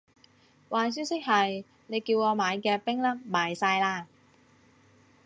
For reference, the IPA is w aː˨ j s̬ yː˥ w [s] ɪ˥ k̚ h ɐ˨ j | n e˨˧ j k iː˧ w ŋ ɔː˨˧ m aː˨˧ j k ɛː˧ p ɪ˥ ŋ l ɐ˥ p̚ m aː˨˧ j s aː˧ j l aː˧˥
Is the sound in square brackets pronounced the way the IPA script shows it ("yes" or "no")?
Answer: yes